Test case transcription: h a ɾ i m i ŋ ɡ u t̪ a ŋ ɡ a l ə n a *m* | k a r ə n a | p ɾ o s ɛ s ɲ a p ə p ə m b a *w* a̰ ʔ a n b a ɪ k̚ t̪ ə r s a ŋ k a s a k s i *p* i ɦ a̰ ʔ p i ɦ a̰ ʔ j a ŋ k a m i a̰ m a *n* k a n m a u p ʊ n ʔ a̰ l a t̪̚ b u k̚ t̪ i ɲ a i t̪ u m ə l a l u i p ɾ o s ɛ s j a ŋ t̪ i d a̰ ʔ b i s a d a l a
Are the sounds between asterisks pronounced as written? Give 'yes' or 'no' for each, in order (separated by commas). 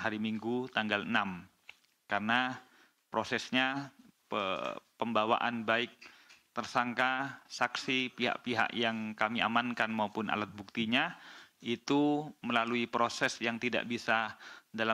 yes, yes, yes, yes